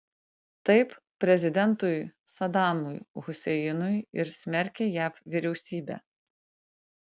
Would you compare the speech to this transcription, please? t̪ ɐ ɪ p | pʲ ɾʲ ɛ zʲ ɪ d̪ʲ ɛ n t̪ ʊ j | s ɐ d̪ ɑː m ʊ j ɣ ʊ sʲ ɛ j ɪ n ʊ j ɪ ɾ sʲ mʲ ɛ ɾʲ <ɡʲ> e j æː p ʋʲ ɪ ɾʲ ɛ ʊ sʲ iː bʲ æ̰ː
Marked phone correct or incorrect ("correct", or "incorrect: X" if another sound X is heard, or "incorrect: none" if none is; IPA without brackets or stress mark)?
incorrect: kʲ